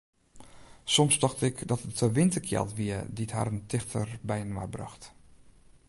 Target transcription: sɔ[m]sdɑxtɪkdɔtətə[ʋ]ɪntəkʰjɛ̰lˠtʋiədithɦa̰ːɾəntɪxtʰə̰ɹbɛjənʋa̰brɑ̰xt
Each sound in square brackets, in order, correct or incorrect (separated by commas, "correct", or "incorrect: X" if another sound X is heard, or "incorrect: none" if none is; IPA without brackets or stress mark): correct, correct